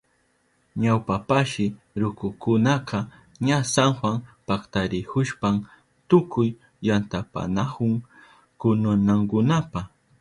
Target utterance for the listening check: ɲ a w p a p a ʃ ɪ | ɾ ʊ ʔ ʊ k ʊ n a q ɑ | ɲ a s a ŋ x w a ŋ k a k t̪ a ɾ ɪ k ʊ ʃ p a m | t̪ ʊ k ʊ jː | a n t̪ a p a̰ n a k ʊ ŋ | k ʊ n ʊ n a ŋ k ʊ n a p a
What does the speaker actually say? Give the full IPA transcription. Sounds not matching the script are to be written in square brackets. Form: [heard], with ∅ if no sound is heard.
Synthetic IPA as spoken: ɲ a w p a p a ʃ ɪ | ɾ ʊ [k] ʊ k ʊ n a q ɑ | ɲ a s a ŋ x w a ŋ [p] a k t̪ a ɾ ɪ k ʊ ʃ p a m | t̪ ʊ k ʊ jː | a n t̪ a p a̰ n a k ʊ ŋ | k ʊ n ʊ n a ŋ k ʊ n a p a